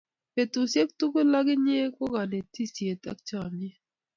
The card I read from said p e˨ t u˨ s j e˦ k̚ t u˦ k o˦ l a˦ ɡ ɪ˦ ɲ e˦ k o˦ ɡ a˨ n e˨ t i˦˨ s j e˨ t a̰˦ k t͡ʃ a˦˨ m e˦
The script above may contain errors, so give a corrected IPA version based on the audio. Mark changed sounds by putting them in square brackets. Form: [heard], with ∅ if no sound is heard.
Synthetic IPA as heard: p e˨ t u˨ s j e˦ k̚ t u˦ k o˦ l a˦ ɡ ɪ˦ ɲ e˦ k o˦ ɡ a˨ n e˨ t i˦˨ s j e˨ t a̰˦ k t͡ʃ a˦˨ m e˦